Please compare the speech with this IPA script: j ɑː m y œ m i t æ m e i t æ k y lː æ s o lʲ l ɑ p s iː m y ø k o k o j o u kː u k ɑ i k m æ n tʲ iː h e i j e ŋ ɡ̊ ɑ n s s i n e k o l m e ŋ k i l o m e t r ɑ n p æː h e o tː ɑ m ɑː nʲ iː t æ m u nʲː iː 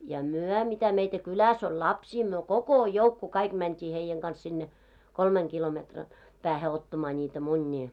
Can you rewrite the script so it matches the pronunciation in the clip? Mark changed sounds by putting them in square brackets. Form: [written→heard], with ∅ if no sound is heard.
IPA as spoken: j [ɑː→ɑ] m y œ m i t æ m e i t æ k y [lː→l] æ s o lʲ l ɑ p s iː m y ø k o k o j o u kː u k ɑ i k m æ n tʲ iː h e i j e ŋ ɡ̊ ɑ n s s i [n→nː] e k o l m e ŋ k i l o m e t r ɑ n p æː h e o tː ɑ m ɑː nʲ iː t æ m u nʲː iː